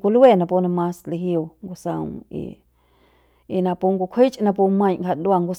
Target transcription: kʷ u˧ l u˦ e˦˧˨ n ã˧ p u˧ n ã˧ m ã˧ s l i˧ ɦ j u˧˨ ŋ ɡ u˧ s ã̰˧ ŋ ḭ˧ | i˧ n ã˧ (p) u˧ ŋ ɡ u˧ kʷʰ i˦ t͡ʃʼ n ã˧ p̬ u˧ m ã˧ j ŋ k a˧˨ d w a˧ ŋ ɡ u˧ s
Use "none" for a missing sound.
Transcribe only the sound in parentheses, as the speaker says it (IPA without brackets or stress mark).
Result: p